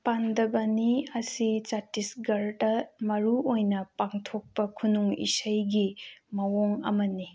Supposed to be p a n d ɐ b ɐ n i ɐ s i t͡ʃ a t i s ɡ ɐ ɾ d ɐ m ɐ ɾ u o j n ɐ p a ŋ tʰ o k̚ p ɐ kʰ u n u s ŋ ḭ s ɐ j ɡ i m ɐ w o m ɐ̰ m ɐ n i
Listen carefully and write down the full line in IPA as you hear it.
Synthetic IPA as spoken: p a n d ɐ b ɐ n i ɐ s i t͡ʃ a t i s ɡ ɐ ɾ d ɐ m ɐ ɾ u o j n ɐ p a ŋ tʰ o k̚ p ɐ kʰ u n u ŋ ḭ s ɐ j ɡ i m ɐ w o ŋ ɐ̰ m ɐ n i